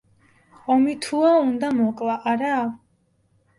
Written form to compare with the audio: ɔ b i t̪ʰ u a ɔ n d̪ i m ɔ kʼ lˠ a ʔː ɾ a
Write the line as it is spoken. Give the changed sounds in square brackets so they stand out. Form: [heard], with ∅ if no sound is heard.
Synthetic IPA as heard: ɔ [m] i t̪ʰ u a [u] n d̪ [a] m ɔ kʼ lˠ a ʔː ɾ a